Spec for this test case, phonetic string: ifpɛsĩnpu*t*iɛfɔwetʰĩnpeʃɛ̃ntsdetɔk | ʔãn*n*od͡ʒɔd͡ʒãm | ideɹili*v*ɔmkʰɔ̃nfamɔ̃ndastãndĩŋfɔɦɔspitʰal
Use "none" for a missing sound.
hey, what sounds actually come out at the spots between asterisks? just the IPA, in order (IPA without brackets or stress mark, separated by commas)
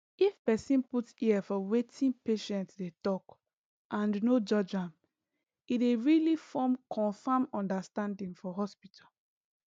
t, n, f